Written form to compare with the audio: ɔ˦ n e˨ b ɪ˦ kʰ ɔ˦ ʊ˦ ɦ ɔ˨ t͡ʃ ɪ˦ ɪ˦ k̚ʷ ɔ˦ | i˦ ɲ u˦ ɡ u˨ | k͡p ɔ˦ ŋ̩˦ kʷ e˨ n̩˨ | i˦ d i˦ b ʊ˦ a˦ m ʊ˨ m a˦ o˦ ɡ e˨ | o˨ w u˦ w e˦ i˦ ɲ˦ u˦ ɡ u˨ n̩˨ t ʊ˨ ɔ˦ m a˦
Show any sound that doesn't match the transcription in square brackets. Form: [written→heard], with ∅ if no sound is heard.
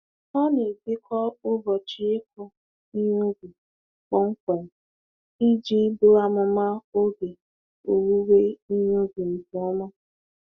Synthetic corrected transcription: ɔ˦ n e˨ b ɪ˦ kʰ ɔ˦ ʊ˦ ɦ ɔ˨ t͡ʃ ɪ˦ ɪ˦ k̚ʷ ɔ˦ | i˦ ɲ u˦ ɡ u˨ | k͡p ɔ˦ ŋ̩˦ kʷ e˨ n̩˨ | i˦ [d→d͡ʒ] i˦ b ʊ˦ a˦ m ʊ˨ m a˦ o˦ ɡ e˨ | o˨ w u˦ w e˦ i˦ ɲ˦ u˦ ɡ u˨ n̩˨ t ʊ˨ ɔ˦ m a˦

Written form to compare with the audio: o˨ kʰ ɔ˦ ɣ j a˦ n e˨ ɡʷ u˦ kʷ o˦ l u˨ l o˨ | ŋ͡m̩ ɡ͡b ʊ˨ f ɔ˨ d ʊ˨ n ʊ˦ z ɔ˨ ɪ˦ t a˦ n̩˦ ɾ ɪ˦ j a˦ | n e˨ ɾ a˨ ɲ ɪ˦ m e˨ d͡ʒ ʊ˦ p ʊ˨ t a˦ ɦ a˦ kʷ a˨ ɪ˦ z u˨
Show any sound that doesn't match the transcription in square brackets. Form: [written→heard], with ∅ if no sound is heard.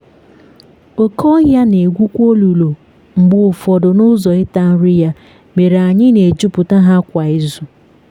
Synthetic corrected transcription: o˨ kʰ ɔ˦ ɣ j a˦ n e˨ ɡʷ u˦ kʷ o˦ l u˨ l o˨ | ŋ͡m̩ ɡ͡b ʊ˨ f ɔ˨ d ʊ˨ n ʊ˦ z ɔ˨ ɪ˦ t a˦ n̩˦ ɾ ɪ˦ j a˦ | [n→m] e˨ ɾ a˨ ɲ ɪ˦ [m→n] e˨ d͡ʒ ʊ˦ p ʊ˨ t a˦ ɦ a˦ kʷ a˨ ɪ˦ z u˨

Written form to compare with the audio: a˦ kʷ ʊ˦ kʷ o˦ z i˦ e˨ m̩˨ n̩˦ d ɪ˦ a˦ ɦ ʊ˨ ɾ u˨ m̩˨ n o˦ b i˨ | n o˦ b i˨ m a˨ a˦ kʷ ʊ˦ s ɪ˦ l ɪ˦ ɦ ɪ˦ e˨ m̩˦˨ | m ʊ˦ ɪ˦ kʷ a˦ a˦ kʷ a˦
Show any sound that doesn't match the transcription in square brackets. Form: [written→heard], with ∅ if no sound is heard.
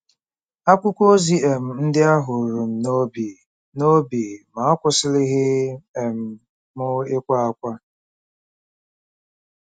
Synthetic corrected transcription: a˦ kʷ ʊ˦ kʷ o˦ z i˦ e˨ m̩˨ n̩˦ d ɪ˦ a˦ ɦ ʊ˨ ɾ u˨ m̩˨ n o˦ b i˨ | n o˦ b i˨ m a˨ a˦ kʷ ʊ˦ s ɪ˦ l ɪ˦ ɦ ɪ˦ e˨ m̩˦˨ | m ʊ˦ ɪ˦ kʷ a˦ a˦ kʷ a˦

